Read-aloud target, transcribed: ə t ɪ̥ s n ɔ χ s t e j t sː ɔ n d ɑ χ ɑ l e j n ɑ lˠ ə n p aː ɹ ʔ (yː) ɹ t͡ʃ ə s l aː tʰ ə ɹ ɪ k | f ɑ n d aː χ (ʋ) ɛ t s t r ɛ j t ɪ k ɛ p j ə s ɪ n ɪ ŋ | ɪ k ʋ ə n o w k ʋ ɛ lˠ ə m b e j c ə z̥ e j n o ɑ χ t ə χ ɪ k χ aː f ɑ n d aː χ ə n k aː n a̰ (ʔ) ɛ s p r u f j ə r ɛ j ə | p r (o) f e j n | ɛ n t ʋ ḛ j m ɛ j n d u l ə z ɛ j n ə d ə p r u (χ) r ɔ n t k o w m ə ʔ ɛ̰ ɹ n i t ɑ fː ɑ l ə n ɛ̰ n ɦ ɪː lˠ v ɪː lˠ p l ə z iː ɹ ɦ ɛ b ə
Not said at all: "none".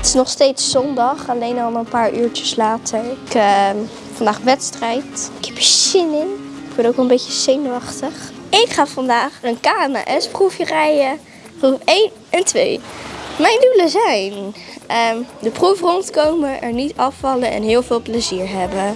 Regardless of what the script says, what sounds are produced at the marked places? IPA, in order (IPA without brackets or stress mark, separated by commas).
yː, ʋ, ʔ, u, f